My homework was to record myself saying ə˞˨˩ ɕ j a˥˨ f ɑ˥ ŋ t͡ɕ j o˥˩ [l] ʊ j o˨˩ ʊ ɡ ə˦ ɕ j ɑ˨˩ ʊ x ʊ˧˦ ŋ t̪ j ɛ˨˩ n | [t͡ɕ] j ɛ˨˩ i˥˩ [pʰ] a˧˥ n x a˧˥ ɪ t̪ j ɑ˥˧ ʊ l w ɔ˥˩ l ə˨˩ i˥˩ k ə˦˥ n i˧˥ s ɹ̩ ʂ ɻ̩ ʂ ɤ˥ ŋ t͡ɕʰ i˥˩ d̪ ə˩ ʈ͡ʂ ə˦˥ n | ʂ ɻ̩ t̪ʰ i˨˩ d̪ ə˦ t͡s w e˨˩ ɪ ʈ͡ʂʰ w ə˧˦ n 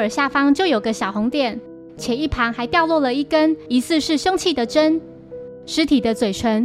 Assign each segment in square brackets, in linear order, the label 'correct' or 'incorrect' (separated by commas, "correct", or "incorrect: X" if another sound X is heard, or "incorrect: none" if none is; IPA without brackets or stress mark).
incorrect: none, incorrect: t͡ɕʰ, correct